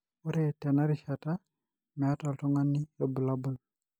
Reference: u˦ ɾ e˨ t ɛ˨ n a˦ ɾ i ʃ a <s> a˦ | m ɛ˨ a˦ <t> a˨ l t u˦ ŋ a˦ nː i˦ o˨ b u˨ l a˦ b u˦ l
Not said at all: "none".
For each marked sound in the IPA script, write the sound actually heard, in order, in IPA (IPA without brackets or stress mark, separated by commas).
t, t